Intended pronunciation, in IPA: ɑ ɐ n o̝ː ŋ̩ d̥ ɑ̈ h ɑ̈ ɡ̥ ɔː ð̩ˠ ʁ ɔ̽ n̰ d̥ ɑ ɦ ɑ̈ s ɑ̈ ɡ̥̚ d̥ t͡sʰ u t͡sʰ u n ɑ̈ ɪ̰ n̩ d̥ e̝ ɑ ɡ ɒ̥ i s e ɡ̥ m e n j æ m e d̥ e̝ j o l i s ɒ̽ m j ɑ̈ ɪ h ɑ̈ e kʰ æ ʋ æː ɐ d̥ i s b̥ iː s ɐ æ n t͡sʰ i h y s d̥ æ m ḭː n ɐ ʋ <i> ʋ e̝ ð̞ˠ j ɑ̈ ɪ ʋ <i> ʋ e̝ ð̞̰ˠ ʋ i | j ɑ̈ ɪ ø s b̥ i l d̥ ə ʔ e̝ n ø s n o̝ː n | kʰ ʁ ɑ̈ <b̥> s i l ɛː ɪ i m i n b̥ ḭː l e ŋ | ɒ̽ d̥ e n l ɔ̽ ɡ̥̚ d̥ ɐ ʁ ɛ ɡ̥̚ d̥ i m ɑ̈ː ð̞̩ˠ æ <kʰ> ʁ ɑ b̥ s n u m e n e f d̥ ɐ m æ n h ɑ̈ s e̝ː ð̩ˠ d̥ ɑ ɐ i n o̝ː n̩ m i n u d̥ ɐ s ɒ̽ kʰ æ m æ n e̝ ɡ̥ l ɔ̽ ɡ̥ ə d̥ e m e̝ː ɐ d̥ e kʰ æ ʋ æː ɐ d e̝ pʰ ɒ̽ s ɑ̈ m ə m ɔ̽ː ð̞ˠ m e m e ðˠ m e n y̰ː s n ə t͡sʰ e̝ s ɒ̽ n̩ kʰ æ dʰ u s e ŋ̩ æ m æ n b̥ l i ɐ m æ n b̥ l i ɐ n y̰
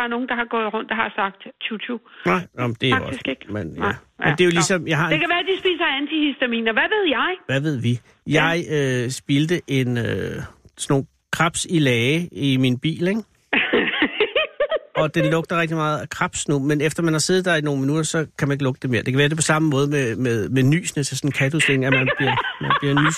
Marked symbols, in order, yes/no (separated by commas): no, no, yes, yes